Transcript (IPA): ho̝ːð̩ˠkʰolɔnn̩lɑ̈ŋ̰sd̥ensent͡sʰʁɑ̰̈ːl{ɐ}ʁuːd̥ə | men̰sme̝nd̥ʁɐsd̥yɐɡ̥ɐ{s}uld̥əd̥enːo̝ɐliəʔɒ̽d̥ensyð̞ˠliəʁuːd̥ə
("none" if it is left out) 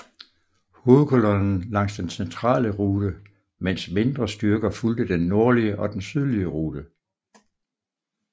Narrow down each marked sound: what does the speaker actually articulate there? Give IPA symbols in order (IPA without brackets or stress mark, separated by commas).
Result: ə, f